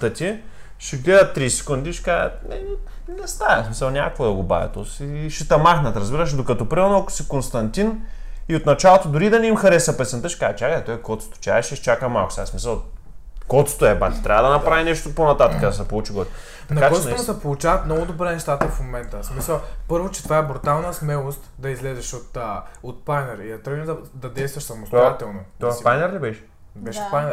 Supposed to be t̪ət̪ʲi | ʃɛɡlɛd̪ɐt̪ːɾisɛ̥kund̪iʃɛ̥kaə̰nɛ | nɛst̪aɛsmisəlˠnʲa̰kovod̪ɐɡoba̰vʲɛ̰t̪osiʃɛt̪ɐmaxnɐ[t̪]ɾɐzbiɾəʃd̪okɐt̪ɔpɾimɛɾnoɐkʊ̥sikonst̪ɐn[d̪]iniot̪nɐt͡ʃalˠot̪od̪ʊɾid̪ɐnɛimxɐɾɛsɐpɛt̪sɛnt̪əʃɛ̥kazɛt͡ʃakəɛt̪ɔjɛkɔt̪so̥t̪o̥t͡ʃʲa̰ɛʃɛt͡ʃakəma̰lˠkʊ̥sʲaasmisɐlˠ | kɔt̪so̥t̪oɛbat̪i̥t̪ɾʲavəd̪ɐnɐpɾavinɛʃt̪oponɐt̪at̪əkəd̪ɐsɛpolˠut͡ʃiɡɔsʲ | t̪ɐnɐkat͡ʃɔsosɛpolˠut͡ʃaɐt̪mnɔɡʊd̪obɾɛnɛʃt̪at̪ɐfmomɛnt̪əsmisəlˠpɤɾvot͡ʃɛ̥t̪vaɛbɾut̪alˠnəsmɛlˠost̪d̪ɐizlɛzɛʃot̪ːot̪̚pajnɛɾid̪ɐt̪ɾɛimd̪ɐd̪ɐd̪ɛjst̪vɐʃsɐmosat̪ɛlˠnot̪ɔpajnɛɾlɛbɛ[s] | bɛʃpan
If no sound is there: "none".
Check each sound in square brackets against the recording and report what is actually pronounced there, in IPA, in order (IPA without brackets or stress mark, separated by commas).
t̪, t̪, ʃ